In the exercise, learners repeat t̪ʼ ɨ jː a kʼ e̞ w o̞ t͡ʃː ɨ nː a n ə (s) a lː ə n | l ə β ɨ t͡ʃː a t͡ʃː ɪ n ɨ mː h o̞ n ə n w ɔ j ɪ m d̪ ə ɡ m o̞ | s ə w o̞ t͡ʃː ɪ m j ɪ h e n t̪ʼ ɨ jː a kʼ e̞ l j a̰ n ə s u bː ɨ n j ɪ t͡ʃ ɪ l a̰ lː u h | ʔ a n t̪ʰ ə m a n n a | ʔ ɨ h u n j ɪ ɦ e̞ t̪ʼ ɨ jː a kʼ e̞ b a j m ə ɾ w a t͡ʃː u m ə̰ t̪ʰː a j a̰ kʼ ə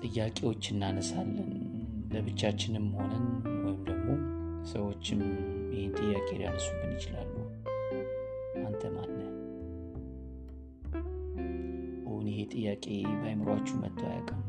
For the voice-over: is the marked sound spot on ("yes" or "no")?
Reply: yes